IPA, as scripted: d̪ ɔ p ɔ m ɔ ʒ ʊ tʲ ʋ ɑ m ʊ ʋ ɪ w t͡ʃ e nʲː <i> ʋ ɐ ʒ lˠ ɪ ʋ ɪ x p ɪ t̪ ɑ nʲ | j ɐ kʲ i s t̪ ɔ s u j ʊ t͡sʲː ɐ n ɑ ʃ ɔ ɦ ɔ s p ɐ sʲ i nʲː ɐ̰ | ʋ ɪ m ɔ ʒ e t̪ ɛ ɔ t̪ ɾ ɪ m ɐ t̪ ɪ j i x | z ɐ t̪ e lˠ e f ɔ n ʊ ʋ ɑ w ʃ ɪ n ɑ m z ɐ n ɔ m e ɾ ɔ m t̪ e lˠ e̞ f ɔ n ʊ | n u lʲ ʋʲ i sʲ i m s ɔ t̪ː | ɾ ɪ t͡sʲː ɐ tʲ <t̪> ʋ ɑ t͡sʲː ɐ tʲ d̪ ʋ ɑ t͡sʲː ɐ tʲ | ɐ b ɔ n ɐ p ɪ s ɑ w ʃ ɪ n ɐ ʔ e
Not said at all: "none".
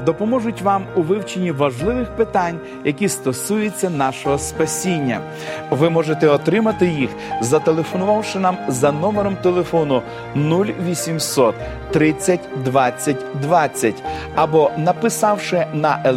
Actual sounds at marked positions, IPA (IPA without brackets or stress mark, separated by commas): i, d̪